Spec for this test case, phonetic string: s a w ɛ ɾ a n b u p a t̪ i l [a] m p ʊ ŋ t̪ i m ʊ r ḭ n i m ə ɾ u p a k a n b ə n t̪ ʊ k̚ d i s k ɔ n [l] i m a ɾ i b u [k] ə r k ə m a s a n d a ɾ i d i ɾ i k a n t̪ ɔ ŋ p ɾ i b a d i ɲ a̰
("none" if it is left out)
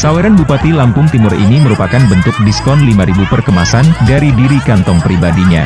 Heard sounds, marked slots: a, l, p

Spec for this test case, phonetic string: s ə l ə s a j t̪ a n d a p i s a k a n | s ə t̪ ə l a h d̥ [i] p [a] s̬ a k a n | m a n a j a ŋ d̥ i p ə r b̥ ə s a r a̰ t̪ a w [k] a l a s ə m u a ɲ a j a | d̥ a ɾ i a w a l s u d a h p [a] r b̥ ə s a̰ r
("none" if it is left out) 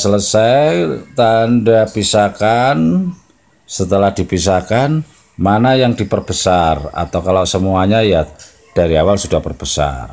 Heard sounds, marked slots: i, i, k, ə

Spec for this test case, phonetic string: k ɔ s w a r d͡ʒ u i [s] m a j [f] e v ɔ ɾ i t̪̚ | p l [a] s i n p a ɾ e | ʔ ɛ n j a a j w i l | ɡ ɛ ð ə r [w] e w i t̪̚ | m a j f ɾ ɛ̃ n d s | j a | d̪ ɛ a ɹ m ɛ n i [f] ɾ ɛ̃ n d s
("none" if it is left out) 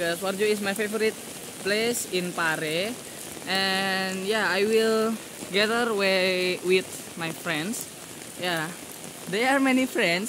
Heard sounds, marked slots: s, f, e, w, f

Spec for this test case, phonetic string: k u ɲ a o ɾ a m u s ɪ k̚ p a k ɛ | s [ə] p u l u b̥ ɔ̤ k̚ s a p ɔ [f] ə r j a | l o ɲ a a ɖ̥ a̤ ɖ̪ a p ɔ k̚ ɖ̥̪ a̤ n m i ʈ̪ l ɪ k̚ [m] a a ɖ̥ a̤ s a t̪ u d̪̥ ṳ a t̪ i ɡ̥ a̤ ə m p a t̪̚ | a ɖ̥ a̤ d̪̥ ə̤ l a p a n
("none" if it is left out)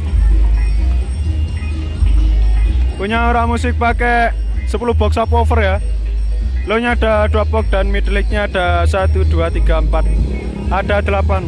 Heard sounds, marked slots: ə, f, ɲ

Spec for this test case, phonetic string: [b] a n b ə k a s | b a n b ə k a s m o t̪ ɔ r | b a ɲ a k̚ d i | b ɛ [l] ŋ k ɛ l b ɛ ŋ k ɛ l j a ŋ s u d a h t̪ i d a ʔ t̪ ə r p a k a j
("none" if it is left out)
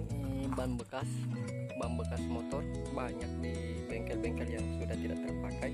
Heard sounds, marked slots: b, none

